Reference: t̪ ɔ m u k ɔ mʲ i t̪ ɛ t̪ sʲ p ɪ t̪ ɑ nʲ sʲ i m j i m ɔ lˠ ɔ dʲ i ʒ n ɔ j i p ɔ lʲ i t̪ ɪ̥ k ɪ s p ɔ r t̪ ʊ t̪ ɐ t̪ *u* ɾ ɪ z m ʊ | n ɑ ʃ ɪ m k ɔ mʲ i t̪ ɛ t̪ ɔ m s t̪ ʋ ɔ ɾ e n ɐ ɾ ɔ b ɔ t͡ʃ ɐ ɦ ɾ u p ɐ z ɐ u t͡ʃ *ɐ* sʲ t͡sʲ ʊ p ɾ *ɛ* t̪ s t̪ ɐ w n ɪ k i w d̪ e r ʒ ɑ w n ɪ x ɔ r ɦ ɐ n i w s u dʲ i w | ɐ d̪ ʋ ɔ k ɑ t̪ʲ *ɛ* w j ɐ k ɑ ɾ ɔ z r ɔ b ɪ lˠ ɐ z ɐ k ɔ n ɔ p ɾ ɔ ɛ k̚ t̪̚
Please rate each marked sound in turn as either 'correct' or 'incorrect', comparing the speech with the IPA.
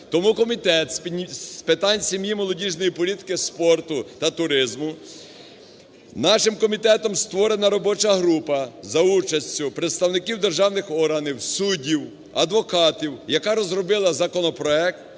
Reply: incorrect, correct, incorrect, incorrect

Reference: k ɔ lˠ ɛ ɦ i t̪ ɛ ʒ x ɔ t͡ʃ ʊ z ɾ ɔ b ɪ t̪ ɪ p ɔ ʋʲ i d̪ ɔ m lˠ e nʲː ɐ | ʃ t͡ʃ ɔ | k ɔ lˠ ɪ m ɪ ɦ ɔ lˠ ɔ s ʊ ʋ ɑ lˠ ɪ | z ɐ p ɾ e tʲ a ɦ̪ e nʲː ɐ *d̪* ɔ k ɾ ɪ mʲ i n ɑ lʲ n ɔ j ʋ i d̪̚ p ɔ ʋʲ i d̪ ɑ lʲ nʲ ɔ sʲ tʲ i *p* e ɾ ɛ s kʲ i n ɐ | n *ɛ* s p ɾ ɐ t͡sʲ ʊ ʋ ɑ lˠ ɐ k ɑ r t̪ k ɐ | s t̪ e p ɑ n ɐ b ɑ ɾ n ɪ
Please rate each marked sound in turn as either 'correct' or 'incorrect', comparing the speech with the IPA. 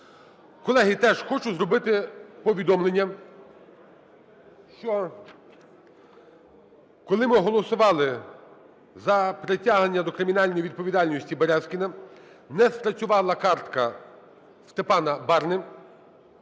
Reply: correct, incorrect, correct

